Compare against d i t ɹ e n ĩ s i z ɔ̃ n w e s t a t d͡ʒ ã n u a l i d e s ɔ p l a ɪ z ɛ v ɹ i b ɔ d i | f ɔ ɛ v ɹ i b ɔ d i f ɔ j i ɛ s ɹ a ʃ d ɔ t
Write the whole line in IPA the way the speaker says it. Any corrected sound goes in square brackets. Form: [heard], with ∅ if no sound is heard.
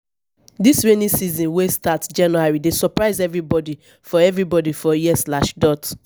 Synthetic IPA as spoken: d i [s] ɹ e n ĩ s i z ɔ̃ n w e s t a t d͡ʒ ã n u a [ɹ] i d e s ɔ p [ɹ] a ɪ z ɛ v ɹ i b ɔ d i | f ɔ ɛ v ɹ i b ɔ d i f ɔ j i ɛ s [l] a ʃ d ɔ t